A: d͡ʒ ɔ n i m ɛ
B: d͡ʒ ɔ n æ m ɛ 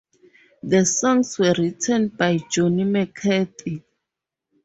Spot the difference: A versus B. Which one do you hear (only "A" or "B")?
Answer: A